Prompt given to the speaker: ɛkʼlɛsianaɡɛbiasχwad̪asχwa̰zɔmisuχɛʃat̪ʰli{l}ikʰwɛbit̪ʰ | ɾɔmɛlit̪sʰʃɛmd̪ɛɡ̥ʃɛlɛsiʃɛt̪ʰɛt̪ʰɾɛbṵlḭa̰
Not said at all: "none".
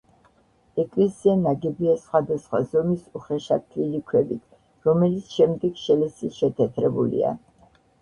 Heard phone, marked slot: l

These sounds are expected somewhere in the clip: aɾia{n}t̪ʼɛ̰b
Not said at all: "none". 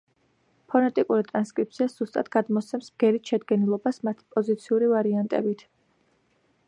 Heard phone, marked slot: n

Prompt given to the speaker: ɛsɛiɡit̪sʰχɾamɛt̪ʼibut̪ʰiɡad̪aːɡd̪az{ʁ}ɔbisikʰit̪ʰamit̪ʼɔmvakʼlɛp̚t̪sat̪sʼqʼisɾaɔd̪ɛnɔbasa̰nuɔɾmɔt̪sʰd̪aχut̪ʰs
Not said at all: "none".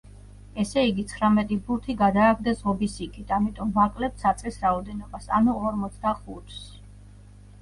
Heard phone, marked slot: ʁ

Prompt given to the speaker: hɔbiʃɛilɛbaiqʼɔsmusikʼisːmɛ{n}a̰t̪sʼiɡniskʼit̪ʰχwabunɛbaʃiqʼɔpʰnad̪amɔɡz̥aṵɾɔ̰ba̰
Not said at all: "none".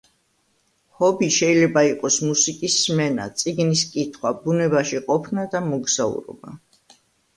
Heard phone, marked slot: n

